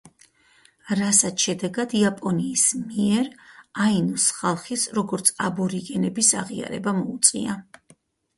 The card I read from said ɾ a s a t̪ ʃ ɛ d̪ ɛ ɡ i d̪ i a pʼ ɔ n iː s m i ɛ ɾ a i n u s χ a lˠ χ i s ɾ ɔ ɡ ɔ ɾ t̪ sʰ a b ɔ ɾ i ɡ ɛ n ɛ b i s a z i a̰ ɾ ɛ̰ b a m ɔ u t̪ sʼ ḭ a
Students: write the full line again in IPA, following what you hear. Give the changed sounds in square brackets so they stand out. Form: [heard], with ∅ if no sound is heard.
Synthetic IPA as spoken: ɾ a s a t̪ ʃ ɛ d̪ ɛ ɡ [a] d̪ i a pʼ ɔ n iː s m i ɛ ɾ a i n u s χ a lˠ χ i s ɾ ɔ ɡ ɔ ɾ t̪ sʰ a b ɔ ɾ i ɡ ɛ n ɛ b i s a [ʁ] i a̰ ɾ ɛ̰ b a m ɔ u t̪ sʼ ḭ a